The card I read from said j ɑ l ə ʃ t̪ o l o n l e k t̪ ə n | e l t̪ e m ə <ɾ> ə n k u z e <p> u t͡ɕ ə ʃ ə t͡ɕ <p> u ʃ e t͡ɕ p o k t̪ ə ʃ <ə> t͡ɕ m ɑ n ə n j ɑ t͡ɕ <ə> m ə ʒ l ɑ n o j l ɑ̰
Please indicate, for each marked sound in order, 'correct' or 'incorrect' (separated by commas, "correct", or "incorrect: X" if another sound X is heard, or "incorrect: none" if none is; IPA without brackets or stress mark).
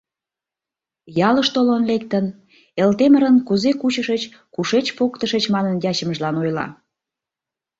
correct, incorrect: k, incorrect: k, correct, correct